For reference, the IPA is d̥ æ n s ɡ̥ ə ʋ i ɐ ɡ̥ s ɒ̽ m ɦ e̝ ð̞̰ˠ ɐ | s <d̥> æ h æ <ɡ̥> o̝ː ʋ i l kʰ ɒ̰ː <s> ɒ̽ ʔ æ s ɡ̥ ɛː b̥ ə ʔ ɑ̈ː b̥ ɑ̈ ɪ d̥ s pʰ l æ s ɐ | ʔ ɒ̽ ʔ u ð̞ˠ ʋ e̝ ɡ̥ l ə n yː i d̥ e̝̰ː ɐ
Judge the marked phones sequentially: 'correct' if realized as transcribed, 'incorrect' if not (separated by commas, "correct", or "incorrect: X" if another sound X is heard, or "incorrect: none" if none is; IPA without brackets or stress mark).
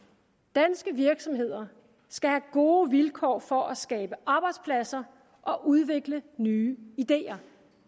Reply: incorrect: ɡ̥, correct, incorrect: f